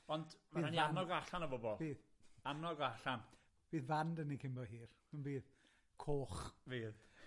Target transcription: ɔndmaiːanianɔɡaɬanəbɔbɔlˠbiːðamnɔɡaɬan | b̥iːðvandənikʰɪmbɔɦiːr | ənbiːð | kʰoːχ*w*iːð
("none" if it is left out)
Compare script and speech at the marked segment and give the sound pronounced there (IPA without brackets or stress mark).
v